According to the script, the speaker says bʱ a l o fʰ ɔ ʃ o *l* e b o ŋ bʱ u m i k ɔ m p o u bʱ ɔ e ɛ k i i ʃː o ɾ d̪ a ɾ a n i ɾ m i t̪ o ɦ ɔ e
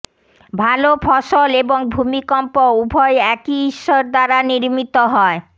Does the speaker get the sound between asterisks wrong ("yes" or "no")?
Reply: no